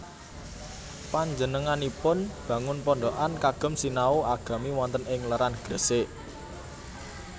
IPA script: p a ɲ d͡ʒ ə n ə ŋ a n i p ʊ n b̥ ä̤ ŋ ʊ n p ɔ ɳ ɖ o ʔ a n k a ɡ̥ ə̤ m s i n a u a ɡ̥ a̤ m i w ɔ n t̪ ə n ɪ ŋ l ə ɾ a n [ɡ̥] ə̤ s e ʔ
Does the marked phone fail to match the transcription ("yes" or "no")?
no